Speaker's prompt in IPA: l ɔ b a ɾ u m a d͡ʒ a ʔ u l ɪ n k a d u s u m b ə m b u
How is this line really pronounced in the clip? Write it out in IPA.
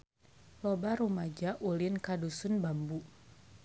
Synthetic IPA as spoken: l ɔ b a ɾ u m a d͡ʒ a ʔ u l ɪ n k a d u s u n b a m b u